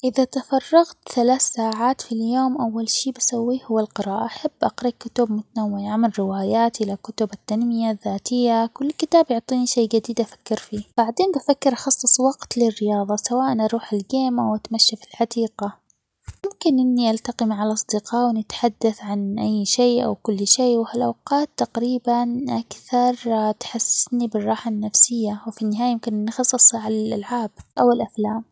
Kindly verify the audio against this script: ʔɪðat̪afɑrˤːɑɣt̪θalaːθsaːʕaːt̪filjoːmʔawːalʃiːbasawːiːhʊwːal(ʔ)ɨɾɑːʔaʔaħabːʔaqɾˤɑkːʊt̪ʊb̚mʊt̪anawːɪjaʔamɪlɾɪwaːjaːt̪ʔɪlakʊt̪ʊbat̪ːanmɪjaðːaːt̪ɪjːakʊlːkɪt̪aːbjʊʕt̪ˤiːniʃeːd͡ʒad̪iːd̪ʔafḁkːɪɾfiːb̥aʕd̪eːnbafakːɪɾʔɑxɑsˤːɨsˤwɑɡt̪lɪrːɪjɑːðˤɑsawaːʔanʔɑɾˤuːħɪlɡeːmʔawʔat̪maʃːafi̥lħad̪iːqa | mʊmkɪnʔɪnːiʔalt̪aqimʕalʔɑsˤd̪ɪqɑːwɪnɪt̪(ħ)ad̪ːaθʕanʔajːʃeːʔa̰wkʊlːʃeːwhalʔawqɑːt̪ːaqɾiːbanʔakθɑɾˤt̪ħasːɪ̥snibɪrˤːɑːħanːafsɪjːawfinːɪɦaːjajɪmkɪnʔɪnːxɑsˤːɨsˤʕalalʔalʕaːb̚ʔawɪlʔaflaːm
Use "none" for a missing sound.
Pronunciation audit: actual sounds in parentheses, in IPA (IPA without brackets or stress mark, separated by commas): q, ħ